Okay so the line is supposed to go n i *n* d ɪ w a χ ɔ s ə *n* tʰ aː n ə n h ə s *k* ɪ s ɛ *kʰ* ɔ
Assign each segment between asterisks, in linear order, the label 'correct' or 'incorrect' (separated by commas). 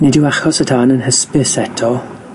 incorrect, incorrect, incorrect, incorrect